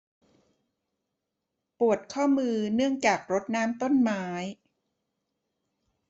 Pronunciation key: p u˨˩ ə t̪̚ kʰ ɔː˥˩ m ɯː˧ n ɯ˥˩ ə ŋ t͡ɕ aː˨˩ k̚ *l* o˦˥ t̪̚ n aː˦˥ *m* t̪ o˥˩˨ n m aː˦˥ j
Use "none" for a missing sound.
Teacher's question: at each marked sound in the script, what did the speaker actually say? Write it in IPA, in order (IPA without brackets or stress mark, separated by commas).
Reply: ɾ, m